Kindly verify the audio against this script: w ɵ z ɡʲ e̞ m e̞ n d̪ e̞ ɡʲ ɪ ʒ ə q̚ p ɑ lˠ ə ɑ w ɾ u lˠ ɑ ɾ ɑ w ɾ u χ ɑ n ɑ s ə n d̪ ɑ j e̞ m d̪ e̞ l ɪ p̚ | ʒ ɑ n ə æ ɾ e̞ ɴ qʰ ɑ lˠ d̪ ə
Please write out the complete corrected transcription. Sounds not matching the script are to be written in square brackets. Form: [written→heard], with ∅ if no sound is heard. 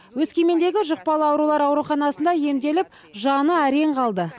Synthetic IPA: w ɵ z [ɡʲ→kʲ] e̞ m e̞ n d̪ e̞ ɡʲ ɪ ʒ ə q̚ p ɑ lˠ ə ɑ w ɾ u lˠ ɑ ɾ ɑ w ɾ u χ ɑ n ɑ s ə n d̪ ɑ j e̞ m d̪ e̞ l ɪ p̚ | ʒ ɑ n ə æ ɾ e̞ ɴ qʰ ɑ lˠ d̪ ə